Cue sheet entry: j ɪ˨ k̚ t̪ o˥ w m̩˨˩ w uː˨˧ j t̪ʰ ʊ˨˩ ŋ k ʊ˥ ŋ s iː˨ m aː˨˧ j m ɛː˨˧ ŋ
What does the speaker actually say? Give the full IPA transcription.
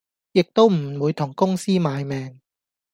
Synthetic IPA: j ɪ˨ k̚ t̪ o˥ w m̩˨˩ w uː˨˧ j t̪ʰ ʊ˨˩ ŋ k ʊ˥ ŋ s iː˥ m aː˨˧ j m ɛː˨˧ ŋ